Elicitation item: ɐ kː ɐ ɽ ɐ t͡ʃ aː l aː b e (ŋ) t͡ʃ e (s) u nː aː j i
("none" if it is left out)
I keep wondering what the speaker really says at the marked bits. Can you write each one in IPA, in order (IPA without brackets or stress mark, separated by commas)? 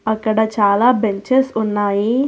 ɲ, s